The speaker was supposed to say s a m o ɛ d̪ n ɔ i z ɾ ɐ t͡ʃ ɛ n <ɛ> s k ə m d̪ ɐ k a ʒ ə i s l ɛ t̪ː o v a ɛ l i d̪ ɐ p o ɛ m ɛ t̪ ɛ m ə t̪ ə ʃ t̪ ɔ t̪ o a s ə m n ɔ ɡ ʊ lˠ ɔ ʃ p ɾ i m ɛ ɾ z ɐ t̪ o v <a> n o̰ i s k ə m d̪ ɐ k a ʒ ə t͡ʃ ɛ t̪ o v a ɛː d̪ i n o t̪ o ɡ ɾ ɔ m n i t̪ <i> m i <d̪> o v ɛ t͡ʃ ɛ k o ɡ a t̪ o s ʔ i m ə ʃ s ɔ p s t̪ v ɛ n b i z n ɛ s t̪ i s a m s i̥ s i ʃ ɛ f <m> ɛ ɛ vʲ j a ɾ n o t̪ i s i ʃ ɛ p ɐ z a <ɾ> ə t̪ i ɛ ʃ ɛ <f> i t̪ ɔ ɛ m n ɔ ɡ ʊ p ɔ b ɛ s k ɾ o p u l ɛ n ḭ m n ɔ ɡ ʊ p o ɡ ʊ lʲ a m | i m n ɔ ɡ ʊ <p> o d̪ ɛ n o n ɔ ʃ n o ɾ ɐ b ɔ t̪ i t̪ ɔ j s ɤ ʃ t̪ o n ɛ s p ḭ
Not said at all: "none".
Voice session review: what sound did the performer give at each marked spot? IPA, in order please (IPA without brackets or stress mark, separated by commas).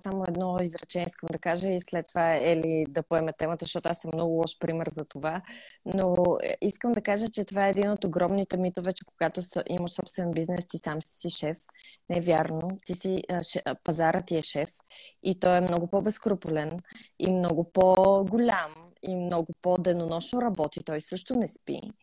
i, a, ɛ, t̪, n, ɾ, f, p